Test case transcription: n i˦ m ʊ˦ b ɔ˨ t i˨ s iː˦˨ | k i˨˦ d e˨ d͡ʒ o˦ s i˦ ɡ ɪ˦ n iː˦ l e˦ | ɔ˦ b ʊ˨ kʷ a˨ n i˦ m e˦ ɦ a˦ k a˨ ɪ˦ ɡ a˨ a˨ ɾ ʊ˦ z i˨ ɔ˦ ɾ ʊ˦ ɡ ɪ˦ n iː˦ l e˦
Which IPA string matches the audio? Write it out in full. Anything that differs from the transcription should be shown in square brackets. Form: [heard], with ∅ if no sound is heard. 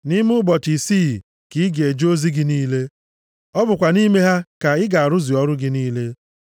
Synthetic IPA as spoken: n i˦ m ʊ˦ b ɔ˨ t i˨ s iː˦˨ | k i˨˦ [ɡ] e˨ d͡ʒ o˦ [z] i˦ ɡ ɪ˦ n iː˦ l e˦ | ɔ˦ b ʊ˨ kʷ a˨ n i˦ m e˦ ɦ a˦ k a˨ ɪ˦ ɡ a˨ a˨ ɾ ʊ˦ z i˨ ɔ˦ ɾ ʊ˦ ɡ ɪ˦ n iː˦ l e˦